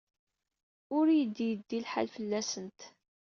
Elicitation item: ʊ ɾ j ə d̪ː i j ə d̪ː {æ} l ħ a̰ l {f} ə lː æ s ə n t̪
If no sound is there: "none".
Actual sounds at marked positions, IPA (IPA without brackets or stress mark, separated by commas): i, f